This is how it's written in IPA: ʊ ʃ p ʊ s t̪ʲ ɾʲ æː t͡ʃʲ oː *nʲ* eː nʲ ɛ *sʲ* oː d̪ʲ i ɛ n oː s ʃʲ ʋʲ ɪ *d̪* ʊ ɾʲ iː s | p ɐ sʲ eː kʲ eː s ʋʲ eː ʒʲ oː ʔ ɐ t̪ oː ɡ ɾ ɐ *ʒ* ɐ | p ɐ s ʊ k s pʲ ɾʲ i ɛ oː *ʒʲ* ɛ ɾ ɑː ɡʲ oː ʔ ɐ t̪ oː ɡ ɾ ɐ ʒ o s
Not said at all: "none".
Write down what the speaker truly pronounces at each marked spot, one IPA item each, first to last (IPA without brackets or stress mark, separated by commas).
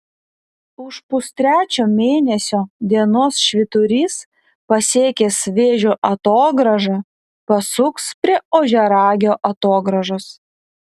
mʲ, sʲ, t̪, ʒ, ʒʲ